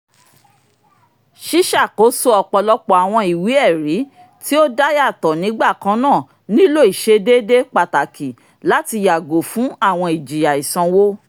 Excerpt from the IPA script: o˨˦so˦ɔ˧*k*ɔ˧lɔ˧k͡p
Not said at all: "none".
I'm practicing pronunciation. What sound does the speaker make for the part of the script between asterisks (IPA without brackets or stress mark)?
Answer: k͡p